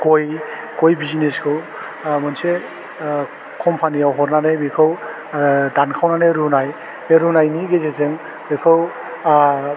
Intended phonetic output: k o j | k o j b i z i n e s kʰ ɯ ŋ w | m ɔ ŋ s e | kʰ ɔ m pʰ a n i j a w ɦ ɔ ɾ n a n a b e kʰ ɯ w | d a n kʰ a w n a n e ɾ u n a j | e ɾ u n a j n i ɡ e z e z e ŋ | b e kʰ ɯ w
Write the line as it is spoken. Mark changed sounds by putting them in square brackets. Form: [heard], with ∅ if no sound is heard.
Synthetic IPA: k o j | k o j b i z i n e s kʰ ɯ [∅] w | m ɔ [n] s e | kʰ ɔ m pʰ a n i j a w ɦ ɔ ɾ n a n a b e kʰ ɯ w | d a n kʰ a w n a n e ɾ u n a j | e ɾ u n a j n i ɡ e z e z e ŋ | b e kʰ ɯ w